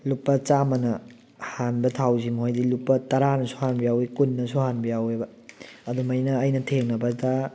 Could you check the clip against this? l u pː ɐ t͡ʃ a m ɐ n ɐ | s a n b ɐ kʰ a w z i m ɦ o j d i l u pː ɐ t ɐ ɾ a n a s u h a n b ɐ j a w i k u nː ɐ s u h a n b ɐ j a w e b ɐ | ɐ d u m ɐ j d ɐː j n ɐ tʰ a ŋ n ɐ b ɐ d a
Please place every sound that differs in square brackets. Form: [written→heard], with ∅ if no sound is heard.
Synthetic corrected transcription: l u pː ɐ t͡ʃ a m ɐ n ɐ | [s→h] a n b ɐ [kʰ→tʰ] a w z i m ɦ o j d i l u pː ɐ t ɐ ɾ a n [a→ɐ] s u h a n b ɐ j a w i k u nː ɐ s u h a n b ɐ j a w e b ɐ | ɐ d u m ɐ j [d→n] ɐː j n ɐ tʰ [a→e] ŋ n ɐ b ɐ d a